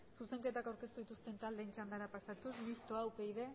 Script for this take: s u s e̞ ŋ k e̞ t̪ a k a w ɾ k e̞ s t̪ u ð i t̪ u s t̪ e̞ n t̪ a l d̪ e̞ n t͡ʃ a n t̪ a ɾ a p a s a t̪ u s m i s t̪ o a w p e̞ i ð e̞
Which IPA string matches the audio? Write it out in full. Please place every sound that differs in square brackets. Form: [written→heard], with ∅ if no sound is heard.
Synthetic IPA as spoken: s u s e̞ ŋ k e̞ t̪ a k a w ɾ k e̞ s t̪ u ð i t̪ u s t̪ e̞ n t̪ a l d̪ e̞ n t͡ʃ a n [t̪→d̪] a ɾ a p a s a t̪ u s m i s t̪ o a w p e̞ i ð e̞